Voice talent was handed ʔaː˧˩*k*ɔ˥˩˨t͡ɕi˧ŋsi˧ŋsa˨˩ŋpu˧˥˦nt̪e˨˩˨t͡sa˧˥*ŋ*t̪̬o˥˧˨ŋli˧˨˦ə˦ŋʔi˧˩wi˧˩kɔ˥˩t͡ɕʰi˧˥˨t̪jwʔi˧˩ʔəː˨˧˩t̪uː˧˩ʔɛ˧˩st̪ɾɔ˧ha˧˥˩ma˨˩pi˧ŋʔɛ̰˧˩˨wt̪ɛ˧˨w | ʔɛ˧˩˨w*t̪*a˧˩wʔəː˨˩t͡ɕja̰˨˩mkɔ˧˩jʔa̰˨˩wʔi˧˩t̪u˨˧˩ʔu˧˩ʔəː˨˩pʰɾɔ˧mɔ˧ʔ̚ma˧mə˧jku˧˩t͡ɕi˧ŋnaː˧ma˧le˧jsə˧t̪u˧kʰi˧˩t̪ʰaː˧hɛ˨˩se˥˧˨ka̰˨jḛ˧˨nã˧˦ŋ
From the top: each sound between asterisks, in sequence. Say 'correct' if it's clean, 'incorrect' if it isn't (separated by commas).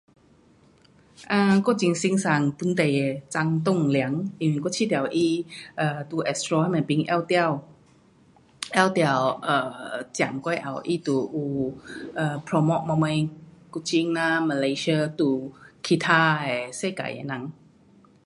correct, correct, correct